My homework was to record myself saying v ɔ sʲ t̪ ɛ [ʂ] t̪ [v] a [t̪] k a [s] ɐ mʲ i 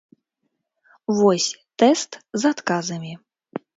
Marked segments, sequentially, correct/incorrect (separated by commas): incorrect, incorrect, correct, incorrect